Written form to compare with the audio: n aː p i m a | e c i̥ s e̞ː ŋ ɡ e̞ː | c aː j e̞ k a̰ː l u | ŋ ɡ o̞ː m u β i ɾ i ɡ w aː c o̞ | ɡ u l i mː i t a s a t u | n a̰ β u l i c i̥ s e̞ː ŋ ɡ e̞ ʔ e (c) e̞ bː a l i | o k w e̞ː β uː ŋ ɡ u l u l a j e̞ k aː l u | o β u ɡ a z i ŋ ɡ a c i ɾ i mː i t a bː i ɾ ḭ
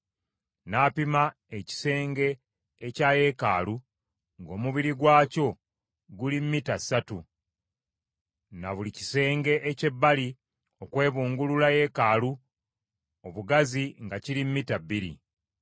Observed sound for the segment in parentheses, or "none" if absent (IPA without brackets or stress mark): c